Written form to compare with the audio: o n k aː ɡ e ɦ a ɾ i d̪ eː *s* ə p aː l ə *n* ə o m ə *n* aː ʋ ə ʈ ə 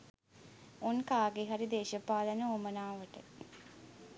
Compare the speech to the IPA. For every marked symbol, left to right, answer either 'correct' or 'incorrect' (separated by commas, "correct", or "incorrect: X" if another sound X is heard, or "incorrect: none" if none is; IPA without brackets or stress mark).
incorrect: ʃ, correct, correct